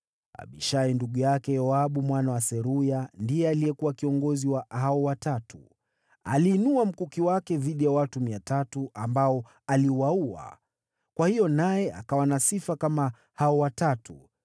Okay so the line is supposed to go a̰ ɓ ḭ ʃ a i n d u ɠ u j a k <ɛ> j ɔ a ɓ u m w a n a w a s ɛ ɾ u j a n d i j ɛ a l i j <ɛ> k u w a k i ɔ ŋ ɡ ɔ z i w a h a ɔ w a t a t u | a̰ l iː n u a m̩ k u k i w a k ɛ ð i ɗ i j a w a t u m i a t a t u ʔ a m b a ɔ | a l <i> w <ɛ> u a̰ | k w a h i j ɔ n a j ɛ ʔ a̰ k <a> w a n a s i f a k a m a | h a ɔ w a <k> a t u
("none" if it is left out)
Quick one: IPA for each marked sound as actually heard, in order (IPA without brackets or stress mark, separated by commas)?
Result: ɛ, ɛ, i, a, a, t